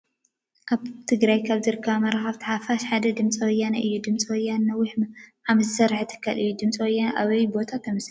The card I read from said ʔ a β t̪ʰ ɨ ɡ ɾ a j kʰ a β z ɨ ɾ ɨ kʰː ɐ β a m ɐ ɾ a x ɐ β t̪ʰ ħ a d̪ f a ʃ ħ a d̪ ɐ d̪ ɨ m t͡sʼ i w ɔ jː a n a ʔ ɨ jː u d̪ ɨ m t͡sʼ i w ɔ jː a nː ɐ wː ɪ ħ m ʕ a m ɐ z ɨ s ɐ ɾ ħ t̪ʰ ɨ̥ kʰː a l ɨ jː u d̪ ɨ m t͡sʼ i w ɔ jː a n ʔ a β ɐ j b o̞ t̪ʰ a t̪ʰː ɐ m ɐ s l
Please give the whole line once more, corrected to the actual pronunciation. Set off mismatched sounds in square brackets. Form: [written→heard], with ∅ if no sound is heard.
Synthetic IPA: ʔ a β t̪ʰ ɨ ɡ ɾ a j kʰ a β z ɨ ɾ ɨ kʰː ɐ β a m ɐ ɾ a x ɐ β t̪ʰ ħ a [d̪→∅] f a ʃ ħ a d̪ ɐ d̪ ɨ m t͡sʼ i w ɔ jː a n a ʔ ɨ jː u d̪ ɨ m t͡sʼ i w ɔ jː a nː ɐ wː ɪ ħ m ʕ a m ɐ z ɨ s ɐ ɾ ħ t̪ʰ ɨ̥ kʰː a l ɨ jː u d̪ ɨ m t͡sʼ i w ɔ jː a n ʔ a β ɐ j b o̞ t̪ʰ a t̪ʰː ɐ m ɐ s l

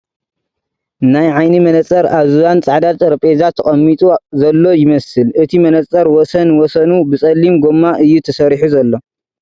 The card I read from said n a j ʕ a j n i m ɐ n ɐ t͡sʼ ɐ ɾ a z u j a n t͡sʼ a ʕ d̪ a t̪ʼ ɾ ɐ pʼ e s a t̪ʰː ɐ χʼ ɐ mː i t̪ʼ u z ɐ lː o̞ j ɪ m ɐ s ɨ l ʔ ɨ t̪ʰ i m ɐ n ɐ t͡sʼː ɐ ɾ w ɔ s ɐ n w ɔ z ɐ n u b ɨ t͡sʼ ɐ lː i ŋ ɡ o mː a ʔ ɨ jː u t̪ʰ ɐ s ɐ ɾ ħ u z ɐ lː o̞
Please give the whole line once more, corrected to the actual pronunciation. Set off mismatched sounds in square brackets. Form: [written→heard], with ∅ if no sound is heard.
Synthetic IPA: n a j ʕ a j n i m ɐ n ɐ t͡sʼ ɐ ɾ a z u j a n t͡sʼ a ʕ d̪ a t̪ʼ ɾ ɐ pʼ e [s→z] a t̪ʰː ɐ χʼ ɐ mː i t̪ʼ u z ɐ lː o̞ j ɪ m ɐ s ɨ l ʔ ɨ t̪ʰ i m ɐ n ɐ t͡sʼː ɐ ɾ w ɔ s ɐ n w ɔ [z→s] ɐ n u b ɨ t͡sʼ ɐ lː i [ŋ→m] ɡ o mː a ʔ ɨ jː u t̪ʰ ɐ s ɐ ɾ ħ u z ɐ lː o̞

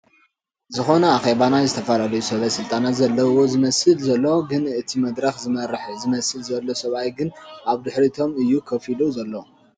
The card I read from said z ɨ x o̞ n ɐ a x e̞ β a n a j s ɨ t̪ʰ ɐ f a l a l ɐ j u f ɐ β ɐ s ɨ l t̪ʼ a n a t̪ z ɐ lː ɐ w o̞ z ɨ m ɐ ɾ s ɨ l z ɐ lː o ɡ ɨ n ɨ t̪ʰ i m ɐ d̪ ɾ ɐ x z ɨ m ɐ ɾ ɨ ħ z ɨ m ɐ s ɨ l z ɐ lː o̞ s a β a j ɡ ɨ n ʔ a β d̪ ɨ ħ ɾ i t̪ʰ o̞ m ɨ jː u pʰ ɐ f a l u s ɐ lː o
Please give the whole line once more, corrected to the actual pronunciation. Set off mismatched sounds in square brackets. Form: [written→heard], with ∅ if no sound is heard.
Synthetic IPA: z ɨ x o̞ n ɐ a x e̞ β a n a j [s→z] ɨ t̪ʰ ɐ f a l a l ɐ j u [f→s] ɐ β ɐ s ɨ l t̪ʼ a n a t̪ z ɐ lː ɐ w o̞ z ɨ m ɐ [ɾ→∅] s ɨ l z ɐ lː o ɡ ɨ n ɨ t̪ʰ i m ɐ d̪ ɾ ɐ x z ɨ m ɐ ɾ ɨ ħ z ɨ m ɐ s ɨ l z ɐ lː o̞ s [a→ɐ] β a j ɡ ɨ n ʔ a β d̪ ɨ ħ ɾ i t̪ʰ o̞ m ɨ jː u [pʰ→kʰ] ɐ f [a→i] l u [s→z] ɐ lː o

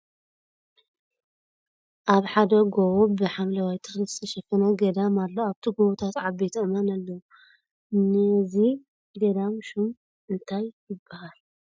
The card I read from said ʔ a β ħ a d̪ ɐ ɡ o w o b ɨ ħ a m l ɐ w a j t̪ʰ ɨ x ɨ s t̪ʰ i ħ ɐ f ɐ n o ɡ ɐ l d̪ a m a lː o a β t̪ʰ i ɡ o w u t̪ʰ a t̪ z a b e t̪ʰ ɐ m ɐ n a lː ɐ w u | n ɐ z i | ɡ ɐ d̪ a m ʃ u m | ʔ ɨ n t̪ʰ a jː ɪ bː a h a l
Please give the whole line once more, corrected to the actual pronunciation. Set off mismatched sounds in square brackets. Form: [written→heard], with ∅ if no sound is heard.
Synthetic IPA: ʔ a β ħ a d̪ ɐ ɡ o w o b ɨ ħ a m l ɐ w a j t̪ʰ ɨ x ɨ s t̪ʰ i [ħ→ʃ] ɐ f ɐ n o ɡ ɐ [l→∅] d̪ a m a lː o a β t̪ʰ i ɡ o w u t̪ʰ a t̪ [z→ʕ] a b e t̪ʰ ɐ m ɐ n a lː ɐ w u | n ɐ z i | ɡ ɐ d̪ a m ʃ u m | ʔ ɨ n t̪ʰ a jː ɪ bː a h a l

